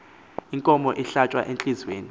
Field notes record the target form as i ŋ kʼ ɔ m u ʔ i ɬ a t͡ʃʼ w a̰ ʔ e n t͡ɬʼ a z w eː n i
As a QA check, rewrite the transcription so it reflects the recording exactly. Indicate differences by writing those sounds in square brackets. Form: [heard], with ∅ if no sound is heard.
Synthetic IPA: i ŋ kʼ ɔ m [ɔ] ʔ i ɬ a t͡ʃʼ w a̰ ʔ e n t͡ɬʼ [i] z w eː n i